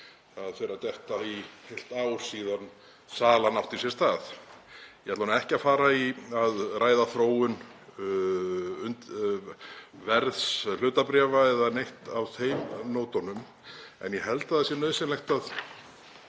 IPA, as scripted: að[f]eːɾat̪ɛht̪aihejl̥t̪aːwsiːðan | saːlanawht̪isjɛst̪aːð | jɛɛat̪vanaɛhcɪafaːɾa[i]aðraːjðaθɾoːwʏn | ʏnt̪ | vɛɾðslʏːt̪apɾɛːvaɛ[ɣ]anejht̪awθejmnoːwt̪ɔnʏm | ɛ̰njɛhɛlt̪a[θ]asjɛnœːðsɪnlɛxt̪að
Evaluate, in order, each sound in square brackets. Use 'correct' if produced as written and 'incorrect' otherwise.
correct, correct, incorrect, incorrect

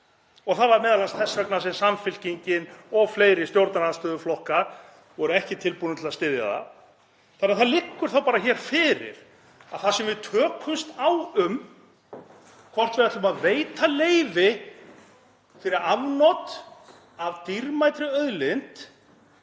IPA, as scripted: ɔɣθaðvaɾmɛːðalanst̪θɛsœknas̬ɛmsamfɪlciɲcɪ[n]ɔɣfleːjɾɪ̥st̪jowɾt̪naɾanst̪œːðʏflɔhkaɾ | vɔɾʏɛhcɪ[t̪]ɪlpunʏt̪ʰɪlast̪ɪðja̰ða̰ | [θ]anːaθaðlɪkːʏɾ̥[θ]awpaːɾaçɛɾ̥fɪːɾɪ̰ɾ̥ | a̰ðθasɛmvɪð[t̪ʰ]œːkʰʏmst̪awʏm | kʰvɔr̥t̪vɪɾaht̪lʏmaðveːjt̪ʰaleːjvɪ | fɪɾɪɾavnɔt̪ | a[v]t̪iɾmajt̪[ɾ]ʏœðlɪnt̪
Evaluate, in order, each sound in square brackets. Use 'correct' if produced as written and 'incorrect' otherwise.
correct, incorrect, correct, correct, correct, correct, correct

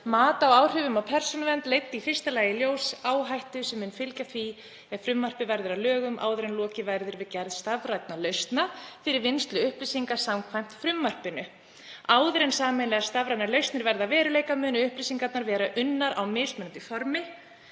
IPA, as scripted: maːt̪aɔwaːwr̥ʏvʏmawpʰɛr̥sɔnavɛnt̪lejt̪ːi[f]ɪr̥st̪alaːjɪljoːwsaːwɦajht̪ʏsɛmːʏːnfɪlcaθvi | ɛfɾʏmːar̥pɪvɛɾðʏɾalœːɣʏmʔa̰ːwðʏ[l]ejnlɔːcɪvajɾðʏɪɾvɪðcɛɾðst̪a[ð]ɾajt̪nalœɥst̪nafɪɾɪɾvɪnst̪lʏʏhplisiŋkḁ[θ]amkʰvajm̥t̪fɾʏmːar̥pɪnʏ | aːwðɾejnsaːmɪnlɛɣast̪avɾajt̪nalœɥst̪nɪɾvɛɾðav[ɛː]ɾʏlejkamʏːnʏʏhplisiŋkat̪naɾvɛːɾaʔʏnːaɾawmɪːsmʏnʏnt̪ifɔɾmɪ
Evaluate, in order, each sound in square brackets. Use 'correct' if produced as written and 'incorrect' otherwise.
correct, incorrect, incorrect, incorrect, correct

